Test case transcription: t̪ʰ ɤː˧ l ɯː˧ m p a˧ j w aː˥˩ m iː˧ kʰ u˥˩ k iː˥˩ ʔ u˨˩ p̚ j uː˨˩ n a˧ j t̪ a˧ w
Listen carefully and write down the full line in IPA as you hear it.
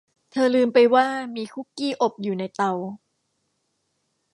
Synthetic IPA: t̪ʰ ɤː˧ l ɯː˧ m p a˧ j w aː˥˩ m iː˧ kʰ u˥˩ k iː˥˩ ʔ o˨˩ p̚ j uː˨˩ n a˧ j t̪ a˧ w